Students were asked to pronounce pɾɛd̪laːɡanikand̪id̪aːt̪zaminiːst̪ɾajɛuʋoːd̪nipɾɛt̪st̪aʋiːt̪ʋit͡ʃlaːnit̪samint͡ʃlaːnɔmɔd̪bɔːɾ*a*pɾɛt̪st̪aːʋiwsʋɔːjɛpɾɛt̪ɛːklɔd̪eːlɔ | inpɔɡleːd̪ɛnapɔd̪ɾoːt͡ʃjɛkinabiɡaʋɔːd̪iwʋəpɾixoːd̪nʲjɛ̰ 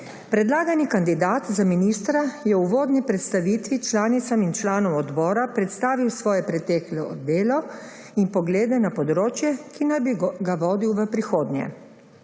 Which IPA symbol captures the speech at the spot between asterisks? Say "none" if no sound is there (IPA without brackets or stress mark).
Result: a